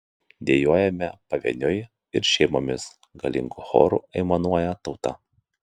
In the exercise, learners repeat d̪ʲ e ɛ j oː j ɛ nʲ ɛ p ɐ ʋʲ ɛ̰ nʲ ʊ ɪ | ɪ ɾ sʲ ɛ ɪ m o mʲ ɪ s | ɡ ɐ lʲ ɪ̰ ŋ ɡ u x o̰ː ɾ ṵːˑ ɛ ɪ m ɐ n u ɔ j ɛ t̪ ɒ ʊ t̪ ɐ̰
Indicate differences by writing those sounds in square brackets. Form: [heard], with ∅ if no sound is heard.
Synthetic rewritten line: d̪ʲ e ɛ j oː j ɛ [mʲ] ɛ p ɐ ʋʲ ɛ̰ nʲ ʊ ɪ | ɪ ɾ [ʃʲ] ɛ ɪ m o mʲ ɪ s | ɡ ɐ lʲ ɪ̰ ŋ ɡ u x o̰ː ɾ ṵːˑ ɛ ɪ m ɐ n u ɔ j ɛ t̪ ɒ ʊ t̪ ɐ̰